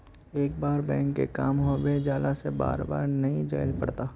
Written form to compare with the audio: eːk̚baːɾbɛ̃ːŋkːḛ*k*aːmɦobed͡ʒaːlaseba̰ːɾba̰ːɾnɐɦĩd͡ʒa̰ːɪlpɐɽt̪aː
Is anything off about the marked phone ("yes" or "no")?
no